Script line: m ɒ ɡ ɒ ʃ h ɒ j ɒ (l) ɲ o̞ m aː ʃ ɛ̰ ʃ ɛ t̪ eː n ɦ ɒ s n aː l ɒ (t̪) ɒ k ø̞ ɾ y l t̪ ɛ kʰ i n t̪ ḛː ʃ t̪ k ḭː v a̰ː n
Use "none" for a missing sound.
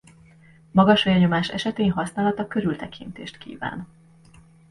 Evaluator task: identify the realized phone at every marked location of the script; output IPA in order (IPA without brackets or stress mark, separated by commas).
none, t̪